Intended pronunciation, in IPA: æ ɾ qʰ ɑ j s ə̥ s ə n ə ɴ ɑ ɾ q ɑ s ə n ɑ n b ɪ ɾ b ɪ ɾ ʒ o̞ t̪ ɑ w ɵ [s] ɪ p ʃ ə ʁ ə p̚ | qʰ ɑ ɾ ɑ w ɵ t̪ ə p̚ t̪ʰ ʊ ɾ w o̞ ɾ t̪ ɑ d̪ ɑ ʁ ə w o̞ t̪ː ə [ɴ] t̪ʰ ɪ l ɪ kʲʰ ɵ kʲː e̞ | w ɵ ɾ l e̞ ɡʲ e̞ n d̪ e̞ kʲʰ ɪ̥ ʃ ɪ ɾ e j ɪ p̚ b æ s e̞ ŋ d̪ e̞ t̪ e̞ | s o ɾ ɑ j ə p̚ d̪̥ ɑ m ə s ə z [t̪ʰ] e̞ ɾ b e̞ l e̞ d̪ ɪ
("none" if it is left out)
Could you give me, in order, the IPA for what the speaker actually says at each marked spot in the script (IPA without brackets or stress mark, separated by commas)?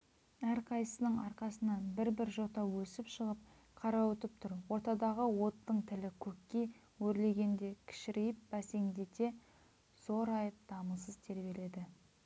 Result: s, ɴ, t̪ʰ